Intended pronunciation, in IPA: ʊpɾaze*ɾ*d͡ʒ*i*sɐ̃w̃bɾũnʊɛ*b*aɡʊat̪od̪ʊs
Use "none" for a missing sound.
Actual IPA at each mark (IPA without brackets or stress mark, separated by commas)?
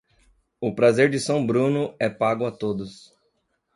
ɾ, ɪ, p